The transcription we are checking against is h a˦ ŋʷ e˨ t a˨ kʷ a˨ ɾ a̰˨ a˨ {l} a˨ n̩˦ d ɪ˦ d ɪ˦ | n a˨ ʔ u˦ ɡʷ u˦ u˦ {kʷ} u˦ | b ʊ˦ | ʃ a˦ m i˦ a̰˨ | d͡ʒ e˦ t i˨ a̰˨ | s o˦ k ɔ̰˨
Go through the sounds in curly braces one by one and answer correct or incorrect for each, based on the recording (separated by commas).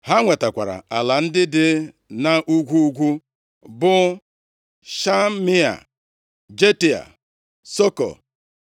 correct, incorrect